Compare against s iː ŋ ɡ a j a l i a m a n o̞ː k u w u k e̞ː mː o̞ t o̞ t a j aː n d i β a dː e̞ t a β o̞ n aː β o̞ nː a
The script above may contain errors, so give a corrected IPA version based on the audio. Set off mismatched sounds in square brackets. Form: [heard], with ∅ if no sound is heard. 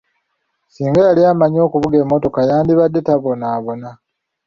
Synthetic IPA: s iː ŋ ɡ a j a l i a m a [ɲ] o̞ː k u [β] u [ɡ] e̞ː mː o̞ t o̞ [k] a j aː n d i β a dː e̞ t a β o̞ n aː β o̞ [n] a